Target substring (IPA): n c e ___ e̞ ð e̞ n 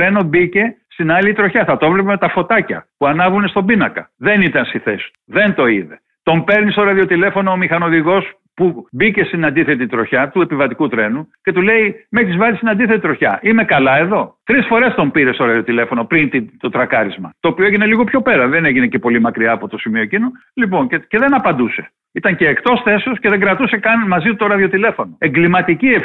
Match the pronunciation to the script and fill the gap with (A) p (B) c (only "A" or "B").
B